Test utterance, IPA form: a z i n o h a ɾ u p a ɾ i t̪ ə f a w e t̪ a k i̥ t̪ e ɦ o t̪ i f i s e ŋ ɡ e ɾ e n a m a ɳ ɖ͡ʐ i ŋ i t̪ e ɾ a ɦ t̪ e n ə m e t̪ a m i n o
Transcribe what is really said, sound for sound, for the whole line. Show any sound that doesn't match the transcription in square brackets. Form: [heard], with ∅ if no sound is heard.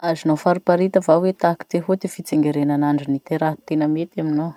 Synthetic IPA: a z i n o [f] a ɾ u p a ɾ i t̪ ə [v] a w e t̪ a k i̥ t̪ e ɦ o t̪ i f i [t͡s] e ŋ ɡ e ɾ e n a [n] a ɳ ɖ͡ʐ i [n] i t̪ e ɾ a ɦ t̪ e n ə m e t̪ a m i n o